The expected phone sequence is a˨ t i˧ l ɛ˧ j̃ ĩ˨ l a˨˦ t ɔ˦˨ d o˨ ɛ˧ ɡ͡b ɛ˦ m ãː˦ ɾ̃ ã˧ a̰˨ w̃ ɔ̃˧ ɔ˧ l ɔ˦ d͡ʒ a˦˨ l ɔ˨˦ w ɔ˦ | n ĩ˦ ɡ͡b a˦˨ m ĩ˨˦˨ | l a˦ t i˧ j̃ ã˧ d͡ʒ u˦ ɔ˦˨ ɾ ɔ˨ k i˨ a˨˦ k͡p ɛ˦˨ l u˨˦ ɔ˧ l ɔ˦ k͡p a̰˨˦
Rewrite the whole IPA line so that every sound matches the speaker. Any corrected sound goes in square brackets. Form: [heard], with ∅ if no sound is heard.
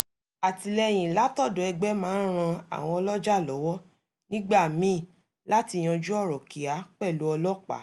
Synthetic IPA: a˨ t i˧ l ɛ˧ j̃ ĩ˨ l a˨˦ t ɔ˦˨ d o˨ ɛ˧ ɡ͡b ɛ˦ m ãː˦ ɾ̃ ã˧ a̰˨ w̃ ɔ̃˧ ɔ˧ l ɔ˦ d͡ʒ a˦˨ l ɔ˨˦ w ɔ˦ | n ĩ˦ ɡ͡b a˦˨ m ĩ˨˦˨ | l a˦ t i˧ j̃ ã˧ d͡ʒ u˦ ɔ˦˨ ɾ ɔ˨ k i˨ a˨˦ k͡p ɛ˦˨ l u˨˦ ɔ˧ l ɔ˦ k͡p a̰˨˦